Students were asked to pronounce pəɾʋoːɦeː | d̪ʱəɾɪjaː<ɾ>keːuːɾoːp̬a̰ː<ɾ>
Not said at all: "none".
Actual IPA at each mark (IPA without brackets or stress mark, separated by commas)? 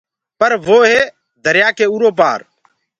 none, ɾ